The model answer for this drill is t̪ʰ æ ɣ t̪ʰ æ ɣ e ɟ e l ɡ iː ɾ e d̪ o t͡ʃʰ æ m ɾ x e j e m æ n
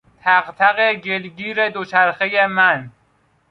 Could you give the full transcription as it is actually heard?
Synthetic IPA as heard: t̪ʰ æ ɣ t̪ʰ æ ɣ e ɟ e l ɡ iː ɾ e d̪ o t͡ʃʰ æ ɾ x e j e m æ n